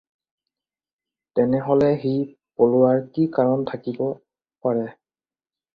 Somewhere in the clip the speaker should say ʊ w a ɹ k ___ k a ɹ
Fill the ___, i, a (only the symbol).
i